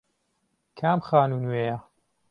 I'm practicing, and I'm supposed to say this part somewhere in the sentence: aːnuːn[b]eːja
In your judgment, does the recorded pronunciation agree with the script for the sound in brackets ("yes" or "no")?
no